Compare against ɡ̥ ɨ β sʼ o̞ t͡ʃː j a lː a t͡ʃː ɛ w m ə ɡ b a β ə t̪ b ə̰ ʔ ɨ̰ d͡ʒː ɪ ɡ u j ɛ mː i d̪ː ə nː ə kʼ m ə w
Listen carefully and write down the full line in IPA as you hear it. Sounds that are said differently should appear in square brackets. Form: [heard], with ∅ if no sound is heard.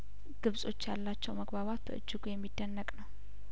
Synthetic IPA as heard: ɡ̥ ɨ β sʼ o̞ t͡ʃː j a lː a t͡ʃː ɛ w m ə ɡ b a β [a] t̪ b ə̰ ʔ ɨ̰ d͡ʒː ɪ ɡ u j ɛ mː i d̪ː ə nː ə kʼ [n] ə w